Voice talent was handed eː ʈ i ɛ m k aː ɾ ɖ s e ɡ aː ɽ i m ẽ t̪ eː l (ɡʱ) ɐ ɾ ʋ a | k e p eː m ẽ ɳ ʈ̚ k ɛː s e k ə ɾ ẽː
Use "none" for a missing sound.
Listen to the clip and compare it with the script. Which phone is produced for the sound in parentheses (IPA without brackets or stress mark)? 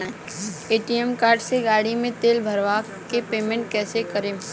bʱ